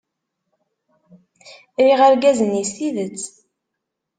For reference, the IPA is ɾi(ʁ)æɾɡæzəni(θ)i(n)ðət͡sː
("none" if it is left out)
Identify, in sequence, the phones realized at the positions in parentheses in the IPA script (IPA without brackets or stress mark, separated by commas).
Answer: ʁ, s, none